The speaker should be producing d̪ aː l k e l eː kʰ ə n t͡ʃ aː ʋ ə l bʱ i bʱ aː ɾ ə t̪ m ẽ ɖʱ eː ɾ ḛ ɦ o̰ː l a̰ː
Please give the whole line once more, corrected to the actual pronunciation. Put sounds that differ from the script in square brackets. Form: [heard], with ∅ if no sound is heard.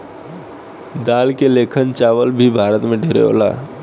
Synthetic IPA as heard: d̪ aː l k e l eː kʰ ə n t͡ʃ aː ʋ ə l bʱ i bʱ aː ɾ ə t̪ m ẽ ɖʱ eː ɾ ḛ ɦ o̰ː l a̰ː